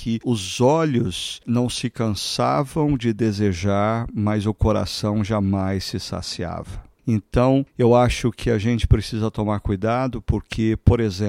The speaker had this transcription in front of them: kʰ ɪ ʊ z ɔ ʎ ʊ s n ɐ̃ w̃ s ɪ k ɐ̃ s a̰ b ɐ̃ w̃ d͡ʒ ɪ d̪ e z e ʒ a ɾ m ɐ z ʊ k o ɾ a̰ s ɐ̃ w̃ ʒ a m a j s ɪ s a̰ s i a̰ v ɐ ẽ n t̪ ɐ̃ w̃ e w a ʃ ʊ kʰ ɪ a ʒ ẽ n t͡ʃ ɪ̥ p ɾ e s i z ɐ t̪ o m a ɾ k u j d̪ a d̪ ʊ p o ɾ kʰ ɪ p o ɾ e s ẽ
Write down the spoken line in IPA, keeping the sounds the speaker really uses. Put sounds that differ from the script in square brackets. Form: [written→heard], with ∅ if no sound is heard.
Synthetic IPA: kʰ ɪ ʊ z ɔ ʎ ʊ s n ɐ̃ w̃ s ɪ k ɐ̃ s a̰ [b→v] ɐ̃ w̃ d͡ʒ ɪ d̪ e z e ʒ a ɾ m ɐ z ʊ k o ɾ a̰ s ɐ̃ w̃ ʒ a m a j s ɪ s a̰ s i a̰ v ɐ ẽ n t̪ ɐ̃ w̃ e w a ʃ ʊ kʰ ɪ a ʒ ẽ n t͡ʃ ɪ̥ p ɾ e s i z ɐ t̪ o m a ɾ k u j d̪ a d̪ ʊ p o ɾ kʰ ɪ p o ɾ e [s→z] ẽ